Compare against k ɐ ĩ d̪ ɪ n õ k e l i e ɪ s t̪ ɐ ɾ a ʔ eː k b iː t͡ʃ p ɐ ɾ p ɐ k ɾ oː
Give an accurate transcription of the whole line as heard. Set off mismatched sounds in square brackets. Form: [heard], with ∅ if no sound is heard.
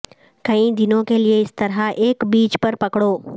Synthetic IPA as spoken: k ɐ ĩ d̪ ɪ n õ k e l i e ɪ s t̪ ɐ ɾ a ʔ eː k b iː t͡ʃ p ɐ ɾ p ɐ k [ɽ] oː